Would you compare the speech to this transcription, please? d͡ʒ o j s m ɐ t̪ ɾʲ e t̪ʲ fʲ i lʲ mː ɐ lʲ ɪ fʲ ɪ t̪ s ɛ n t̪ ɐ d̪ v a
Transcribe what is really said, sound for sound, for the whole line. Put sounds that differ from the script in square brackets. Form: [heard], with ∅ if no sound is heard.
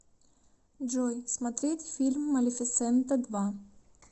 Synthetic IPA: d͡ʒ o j s m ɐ t̪ ɾʲ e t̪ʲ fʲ i lʲ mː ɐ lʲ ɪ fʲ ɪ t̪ s ɛ n t̪ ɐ d̪ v a